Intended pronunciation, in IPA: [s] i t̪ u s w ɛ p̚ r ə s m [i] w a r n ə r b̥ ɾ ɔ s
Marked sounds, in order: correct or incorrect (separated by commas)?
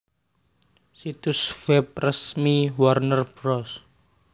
correct, correct